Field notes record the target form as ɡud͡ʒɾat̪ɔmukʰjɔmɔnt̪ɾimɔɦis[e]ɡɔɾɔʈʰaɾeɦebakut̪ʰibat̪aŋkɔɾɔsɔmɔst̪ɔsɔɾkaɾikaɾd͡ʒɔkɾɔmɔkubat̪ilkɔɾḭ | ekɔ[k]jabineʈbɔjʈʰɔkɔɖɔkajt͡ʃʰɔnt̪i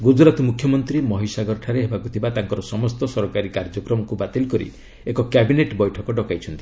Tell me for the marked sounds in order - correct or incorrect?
incorrect: a, correct

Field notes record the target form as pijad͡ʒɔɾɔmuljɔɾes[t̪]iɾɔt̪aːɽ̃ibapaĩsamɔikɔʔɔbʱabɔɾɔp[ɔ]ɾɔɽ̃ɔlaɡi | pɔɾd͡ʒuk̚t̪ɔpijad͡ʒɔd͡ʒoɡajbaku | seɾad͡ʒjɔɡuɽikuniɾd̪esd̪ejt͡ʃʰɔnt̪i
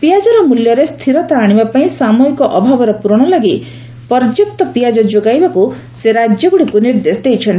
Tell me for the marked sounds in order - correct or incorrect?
incorrect: t̪ʰ, incorrect: u

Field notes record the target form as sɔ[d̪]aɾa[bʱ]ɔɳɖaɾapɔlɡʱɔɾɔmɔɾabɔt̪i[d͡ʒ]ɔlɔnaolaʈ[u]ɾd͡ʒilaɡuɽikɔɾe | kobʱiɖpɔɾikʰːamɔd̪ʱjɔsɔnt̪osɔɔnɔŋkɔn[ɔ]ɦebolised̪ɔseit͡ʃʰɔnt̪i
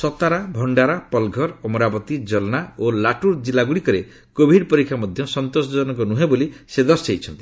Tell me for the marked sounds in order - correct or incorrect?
incorrect: t̪, correct, correct, correct, incorrect: u

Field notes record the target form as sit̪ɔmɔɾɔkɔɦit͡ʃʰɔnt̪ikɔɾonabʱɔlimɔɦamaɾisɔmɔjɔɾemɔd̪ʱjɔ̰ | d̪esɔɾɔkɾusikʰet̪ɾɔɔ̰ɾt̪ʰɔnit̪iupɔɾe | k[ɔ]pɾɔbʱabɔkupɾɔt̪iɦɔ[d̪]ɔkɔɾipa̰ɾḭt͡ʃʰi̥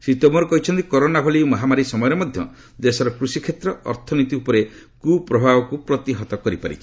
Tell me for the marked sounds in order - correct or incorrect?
incorrect: u, incorrect: t̪

